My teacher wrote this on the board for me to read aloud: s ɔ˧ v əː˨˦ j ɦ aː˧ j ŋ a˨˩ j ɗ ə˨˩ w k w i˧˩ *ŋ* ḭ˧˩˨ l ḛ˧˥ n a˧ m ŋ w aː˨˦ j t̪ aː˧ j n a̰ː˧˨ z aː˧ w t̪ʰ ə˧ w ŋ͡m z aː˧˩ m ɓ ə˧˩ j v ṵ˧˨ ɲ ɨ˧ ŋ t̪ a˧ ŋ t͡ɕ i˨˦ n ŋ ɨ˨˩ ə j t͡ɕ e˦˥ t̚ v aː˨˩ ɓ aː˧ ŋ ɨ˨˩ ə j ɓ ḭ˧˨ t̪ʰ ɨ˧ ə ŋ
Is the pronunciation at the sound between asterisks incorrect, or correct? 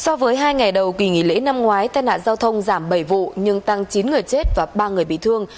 correct